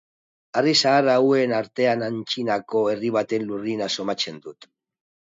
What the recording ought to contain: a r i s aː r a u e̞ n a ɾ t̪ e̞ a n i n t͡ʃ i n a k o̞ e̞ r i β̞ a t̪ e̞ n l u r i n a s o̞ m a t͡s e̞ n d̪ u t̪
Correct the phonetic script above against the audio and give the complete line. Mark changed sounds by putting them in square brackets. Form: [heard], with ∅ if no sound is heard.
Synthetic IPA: a r i s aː r a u e̞ n a ɾ t̪ e̞ a n [a] n t͡ʃ i n a k o̞ e̞ r i β̞ a t̪ e̞ n l u r i n a s o̞ m a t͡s e̞ n d̪ u t̪